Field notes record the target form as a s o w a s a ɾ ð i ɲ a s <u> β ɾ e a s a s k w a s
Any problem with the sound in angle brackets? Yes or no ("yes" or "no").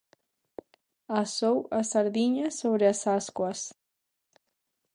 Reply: yes